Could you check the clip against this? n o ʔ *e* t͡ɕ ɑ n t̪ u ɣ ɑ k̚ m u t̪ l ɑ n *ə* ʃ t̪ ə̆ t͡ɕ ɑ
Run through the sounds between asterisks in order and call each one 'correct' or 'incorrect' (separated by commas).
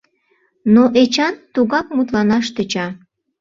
correct, incorrect